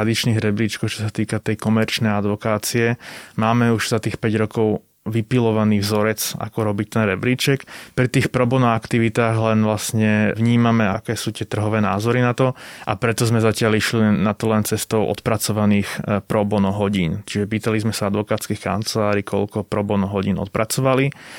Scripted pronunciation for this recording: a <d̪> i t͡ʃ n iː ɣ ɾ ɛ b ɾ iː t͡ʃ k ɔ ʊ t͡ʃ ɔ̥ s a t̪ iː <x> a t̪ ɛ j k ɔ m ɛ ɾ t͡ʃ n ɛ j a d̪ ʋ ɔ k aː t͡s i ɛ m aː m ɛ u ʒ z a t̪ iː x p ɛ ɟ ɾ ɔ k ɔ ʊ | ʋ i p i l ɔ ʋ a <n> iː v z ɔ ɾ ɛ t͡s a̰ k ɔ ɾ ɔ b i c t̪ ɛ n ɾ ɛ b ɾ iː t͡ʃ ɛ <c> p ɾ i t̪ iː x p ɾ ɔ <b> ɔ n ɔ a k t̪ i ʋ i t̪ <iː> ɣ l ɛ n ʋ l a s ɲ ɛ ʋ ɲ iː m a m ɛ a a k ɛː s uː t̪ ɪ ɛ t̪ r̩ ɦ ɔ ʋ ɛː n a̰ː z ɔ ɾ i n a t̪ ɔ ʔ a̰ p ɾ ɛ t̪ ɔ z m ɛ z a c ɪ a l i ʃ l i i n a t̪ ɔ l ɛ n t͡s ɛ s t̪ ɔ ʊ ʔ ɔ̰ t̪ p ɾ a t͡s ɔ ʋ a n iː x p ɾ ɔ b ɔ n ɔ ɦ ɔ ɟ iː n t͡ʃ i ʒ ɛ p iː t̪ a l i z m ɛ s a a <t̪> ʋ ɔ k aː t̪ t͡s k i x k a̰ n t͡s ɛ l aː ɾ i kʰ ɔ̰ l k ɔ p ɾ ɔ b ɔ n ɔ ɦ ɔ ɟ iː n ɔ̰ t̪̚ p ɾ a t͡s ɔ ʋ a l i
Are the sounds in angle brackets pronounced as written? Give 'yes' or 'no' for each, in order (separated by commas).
yes, no, yes, no, yes, no, no